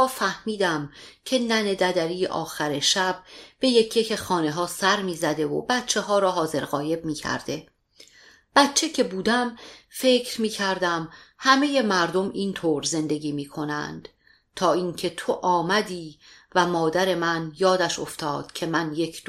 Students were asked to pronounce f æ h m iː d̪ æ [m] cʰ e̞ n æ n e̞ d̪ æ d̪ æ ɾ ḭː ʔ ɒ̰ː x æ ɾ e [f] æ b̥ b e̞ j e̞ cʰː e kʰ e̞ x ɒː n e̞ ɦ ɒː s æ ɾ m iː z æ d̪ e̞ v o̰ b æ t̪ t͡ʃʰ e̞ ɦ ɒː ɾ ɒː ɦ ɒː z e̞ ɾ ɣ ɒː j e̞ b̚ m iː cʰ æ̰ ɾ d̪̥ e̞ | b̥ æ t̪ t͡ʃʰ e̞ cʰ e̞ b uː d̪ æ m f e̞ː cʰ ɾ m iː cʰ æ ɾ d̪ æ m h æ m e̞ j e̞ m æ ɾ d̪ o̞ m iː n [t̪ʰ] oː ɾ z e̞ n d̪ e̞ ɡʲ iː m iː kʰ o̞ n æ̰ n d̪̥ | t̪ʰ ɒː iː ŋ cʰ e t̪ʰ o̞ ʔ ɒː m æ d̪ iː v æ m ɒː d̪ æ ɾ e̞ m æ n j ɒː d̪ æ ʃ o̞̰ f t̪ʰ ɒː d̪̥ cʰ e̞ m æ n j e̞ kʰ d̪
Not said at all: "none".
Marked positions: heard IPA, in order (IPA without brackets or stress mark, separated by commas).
m, ʃ, t̪ʰ